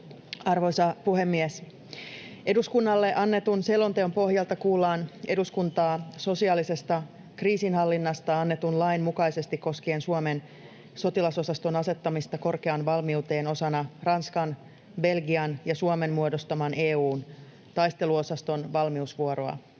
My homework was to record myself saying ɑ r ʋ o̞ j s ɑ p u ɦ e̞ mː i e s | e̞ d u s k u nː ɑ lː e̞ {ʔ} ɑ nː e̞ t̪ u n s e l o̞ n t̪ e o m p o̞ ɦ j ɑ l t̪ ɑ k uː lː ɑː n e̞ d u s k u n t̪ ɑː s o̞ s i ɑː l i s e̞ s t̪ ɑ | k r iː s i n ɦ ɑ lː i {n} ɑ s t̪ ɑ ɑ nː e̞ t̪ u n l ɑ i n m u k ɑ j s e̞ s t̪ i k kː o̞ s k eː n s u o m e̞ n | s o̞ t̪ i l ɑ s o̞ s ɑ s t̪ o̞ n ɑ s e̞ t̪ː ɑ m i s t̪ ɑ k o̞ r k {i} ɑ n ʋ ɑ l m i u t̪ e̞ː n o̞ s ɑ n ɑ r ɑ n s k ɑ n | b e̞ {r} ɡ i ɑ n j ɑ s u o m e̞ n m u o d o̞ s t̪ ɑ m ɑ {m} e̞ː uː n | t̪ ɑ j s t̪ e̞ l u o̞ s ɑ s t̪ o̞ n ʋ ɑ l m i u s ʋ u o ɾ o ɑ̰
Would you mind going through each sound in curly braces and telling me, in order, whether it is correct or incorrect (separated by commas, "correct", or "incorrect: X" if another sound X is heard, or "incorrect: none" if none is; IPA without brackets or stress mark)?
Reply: correct, incorrect: nː, incorrect: e, incorrect: l, incorrect: n